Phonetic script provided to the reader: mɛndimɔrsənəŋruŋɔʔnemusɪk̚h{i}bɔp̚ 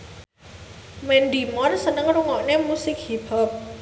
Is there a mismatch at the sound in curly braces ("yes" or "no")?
no